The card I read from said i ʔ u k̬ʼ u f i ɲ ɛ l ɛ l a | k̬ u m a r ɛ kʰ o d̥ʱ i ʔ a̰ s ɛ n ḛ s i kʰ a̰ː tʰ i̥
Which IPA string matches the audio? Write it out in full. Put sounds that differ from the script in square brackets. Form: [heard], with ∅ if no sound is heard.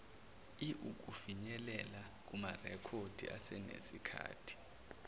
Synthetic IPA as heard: i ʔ u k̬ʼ u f i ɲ ɛ l ɛ l a | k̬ u m a r ɛ kʰ o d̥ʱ i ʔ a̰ s ɛ n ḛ s i kʰ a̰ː tʰ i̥